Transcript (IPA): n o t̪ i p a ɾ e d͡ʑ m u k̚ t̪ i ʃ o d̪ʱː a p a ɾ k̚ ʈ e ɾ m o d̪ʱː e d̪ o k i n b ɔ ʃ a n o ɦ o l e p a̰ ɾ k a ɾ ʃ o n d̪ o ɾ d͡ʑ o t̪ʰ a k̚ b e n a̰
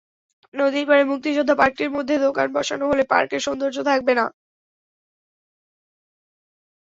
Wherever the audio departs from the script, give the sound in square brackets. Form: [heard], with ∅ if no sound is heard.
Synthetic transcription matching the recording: n o [d̪] i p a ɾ e [∅] m u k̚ t̪ i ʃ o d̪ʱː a p a ɾ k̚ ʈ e ɾ m o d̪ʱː e d̪ o k [a] n b ɔ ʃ a n o ɦ o l e p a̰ ɾ k [e] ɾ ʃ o n d̪ o ɾ d͡ʑ o t̪ʰ a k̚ b e n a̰